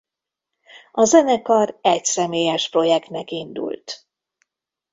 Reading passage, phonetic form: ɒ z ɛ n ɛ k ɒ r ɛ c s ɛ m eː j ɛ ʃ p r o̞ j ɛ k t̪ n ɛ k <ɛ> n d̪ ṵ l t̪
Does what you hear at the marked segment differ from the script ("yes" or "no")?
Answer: yes